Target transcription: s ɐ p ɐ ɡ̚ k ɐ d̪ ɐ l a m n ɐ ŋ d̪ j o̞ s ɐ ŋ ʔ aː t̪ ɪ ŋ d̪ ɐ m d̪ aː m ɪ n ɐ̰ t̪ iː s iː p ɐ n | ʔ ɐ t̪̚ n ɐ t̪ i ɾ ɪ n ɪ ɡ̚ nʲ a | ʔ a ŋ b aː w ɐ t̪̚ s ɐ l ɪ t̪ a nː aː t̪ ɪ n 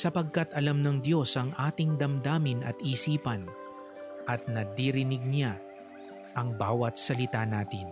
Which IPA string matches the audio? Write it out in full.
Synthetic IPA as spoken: s ɐ p ɐ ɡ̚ k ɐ t̪ ɐ l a m n ɐ ŋ d̪ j o̞ s ɐ ŋ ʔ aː t̪ ɪ ŋ d̪ ɐ m d̪ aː m ɪ n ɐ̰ t̪ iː s iː p ɐ n | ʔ ɐ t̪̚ n ɐ d̪ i ɾ ɪ n ɪ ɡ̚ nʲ a | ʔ ɐ ŋ b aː w ɐ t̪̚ s ɐ l ɪ t̪ a n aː t̪ ɪ n